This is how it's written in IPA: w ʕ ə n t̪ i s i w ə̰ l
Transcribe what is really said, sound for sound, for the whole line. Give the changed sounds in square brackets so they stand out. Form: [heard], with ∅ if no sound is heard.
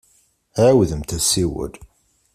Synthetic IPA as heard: w [ð] ə [m] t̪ [æ] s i w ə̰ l